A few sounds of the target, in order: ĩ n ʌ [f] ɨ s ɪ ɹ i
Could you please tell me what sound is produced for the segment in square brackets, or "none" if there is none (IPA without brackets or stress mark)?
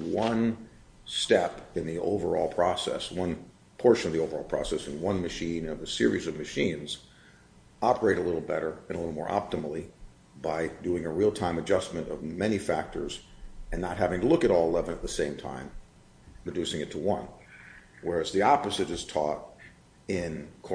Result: v